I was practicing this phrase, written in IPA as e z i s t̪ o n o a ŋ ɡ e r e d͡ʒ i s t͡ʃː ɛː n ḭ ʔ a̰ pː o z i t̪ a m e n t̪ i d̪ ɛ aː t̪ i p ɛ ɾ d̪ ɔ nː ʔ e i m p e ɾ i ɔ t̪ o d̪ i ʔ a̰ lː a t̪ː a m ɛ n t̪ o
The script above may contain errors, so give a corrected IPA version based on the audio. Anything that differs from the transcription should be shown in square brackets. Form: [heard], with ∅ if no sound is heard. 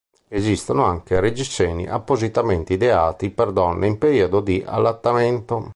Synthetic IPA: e z i s t̪ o n o a ŋ [k] e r e d͡ʒ i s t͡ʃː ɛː n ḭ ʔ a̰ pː o z i t̪ a m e n t̪ i d̪ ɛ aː t̪ i p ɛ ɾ d̪ ɔ nː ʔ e i m p e ɾ i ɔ [d̪] o d̪ i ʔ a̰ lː a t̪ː a m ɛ n t̪ o